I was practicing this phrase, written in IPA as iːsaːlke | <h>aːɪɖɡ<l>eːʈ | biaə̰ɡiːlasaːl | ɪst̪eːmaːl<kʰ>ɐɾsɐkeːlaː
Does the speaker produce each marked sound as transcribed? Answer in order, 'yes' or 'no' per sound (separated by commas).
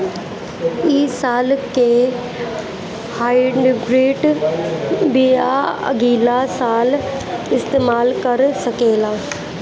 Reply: yes, no, no